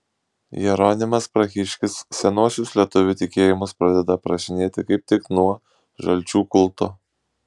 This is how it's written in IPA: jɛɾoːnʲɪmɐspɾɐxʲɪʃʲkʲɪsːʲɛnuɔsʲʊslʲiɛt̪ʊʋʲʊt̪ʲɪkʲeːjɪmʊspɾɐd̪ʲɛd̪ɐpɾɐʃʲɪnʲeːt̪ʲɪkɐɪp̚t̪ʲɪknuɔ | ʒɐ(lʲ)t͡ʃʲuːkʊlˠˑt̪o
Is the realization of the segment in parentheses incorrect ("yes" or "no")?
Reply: no